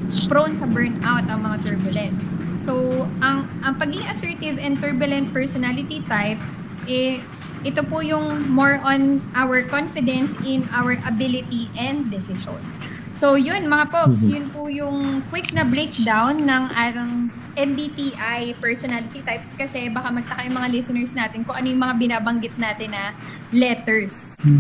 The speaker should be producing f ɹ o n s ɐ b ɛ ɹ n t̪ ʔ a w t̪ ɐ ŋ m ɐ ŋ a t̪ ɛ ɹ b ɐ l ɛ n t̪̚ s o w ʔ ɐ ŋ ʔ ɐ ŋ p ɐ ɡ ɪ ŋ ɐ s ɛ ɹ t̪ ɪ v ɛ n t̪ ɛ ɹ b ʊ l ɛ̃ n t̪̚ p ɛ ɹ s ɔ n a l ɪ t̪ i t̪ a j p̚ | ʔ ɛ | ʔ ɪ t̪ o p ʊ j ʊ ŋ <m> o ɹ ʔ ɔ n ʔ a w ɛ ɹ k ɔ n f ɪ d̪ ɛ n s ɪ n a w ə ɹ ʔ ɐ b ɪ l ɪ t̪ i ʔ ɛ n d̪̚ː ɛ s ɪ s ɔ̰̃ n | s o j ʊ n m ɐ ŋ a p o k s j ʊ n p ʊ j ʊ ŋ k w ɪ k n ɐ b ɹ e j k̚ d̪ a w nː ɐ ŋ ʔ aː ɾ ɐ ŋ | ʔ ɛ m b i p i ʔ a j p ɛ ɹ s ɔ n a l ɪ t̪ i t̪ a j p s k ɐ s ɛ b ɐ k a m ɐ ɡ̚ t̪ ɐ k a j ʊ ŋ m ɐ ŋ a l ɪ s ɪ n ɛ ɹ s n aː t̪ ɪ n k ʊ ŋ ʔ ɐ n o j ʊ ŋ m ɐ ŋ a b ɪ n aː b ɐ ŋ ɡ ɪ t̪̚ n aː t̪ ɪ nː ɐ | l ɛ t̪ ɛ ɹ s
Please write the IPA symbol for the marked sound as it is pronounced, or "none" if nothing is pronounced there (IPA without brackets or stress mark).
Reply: m